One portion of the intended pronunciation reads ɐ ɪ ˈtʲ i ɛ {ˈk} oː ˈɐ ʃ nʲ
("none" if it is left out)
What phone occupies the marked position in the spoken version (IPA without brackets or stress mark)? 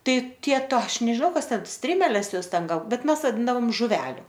t